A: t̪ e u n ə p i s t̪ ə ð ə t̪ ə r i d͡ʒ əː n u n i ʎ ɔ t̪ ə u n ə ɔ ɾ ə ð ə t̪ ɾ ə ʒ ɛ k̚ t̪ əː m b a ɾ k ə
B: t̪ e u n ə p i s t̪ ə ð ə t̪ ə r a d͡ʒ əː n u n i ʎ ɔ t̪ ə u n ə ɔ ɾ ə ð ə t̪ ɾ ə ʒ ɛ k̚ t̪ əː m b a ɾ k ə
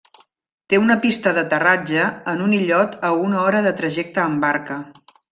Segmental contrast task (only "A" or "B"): B